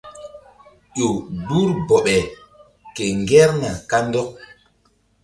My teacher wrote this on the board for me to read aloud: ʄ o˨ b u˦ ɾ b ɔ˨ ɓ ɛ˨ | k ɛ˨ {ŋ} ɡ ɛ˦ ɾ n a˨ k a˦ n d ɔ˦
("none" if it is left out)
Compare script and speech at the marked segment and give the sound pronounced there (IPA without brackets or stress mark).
ŋ